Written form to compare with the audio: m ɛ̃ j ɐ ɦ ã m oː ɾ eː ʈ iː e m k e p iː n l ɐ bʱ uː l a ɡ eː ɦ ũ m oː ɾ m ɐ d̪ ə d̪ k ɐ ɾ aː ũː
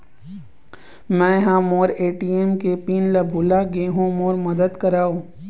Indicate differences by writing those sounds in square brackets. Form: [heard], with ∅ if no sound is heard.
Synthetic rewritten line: m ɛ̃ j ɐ ɦ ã m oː ɾ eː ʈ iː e m k e p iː n l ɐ bʱ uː l a ɡ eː ɦ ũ m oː ɾ m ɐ d̪ ə d̪ k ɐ ɾ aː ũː